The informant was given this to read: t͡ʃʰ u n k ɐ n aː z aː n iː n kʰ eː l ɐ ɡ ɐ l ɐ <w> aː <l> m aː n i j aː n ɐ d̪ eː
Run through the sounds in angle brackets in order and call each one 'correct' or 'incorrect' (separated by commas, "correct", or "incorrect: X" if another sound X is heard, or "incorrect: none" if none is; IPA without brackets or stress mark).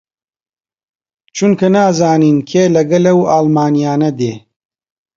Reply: correct, correct